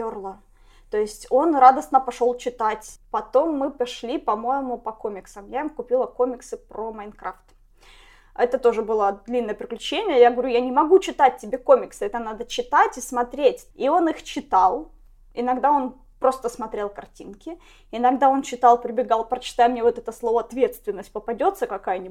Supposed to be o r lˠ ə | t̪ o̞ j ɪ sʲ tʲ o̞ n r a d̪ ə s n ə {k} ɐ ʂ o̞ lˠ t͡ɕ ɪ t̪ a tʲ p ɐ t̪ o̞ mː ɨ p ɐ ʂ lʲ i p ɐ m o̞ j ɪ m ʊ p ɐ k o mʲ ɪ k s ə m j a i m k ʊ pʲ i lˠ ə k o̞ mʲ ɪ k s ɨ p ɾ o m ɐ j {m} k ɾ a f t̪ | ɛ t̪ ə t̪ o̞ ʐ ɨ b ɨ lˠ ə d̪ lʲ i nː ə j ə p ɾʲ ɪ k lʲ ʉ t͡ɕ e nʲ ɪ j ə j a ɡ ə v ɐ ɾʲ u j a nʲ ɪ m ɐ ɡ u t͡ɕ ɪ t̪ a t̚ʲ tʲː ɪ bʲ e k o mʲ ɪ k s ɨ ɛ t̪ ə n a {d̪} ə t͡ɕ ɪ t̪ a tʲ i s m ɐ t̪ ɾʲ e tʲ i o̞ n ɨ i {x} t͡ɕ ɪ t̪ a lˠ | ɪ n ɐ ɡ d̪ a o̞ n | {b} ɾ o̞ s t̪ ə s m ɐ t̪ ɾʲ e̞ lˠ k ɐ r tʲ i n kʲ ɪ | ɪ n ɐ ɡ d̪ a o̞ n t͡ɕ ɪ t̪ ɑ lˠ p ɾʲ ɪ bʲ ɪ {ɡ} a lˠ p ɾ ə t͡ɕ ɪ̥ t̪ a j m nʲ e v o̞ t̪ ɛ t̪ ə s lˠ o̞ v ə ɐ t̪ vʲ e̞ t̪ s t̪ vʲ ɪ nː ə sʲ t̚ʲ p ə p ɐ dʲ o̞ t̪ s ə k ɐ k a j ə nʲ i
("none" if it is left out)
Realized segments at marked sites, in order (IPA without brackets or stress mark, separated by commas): p, n, d̪, x, p, ɡ